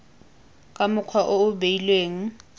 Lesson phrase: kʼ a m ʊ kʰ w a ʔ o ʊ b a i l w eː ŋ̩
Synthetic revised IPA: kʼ a m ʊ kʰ w a ʔ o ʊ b e i l w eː ŋ̩